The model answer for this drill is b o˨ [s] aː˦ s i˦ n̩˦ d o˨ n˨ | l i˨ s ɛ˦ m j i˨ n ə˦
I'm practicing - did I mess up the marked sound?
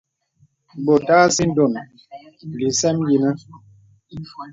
yes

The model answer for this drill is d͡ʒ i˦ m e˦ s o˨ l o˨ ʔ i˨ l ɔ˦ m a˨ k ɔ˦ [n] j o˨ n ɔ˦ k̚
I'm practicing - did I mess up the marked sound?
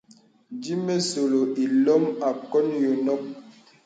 no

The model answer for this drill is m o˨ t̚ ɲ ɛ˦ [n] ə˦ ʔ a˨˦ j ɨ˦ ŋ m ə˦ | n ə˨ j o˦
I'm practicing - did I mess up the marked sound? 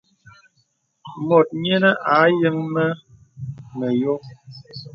no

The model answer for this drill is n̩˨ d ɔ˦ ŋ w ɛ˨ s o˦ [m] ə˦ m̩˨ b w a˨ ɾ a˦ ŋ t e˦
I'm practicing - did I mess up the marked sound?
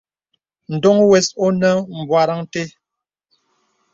yes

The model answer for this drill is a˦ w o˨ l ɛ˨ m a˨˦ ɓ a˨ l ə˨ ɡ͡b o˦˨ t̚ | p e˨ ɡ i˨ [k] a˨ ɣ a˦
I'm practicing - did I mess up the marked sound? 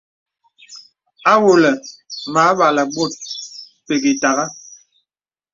yes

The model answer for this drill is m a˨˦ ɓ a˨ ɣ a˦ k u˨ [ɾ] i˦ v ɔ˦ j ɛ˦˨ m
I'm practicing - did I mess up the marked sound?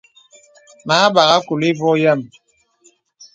yes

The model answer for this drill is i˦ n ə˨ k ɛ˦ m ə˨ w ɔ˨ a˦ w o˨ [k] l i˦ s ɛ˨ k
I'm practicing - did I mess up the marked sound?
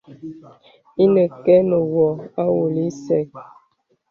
yes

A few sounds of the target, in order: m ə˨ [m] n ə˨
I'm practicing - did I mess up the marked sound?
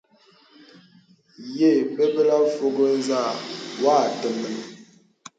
yes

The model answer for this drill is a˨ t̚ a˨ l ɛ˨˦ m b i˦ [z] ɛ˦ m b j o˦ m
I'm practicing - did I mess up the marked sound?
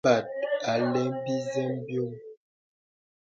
no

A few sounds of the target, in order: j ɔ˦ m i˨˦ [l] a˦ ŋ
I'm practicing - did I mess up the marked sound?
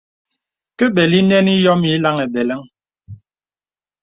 no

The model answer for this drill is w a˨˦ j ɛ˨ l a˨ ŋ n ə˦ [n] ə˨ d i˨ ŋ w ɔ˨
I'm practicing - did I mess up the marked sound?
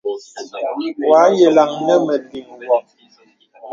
yes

